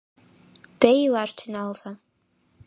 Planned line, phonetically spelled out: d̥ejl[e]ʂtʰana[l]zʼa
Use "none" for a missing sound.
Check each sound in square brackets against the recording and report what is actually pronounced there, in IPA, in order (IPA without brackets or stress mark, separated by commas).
a, l